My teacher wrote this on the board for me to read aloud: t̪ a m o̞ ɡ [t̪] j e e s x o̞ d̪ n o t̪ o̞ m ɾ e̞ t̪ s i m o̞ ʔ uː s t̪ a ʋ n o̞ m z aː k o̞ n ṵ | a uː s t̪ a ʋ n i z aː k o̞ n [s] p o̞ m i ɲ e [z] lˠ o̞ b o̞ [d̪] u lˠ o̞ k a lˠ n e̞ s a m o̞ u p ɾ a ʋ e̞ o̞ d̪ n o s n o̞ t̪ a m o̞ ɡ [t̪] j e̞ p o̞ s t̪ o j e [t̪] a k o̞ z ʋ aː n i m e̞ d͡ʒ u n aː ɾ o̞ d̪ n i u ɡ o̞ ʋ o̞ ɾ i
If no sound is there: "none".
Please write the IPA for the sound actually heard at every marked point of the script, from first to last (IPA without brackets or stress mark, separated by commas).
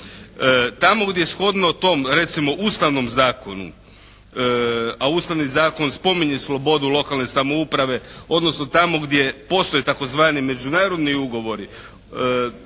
d̪, s, s, d̪, d̪, t̪